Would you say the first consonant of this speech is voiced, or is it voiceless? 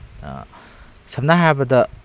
voiceless